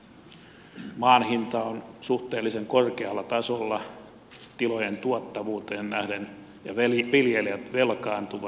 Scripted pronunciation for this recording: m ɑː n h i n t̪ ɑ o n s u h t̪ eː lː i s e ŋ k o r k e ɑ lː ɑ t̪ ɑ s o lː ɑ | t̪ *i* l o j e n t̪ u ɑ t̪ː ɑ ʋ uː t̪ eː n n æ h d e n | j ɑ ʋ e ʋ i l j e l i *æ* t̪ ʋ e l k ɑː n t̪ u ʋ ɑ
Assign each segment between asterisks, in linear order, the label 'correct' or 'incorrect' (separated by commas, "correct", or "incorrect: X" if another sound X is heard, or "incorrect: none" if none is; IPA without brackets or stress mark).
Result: correct, correct